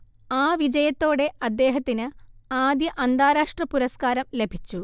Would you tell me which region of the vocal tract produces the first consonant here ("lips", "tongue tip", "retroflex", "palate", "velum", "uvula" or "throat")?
lips